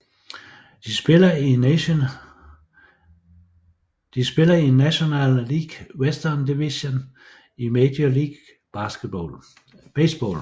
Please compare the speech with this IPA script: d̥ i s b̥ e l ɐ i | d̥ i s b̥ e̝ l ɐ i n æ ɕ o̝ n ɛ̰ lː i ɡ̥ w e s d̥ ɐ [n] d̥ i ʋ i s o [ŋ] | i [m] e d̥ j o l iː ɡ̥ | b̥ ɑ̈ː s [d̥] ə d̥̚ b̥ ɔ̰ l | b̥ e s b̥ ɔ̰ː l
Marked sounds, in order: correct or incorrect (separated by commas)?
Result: correct, incorrect, correct, incorrect